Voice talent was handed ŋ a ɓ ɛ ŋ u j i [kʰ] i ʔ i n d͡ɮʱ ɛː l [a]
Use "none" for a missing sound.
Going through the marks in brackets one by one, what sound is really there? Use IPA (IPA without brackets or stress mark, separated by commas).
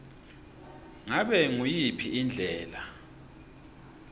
pʰ, a